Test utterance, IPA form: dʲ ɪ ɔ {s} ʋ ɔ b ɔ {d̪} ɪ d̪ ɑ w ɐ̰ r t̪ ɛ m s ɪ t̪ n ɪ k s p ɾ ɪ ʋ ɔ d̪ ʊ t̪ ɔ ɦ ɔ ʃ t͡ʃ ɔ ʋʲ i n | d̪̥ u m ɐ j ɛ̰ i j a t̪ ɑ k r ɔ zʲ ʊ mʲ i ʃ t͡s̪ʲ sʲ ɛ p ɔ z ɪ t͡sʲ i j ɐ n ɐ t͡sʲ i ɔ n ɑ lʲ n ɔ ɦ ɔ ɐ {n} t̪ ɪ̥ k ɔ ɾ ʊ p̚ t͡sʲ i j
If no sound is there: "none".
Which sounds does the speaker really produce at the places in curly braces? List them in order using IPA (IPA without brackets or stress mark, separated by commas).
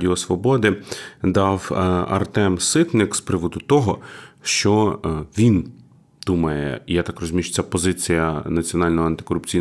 s, d̪, n